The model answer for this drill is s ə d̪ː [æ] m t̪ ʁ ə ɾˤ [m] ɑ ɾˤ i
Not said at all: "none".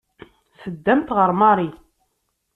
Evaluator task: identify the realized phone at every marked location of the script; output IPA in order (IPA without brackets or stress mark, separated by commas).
æ, m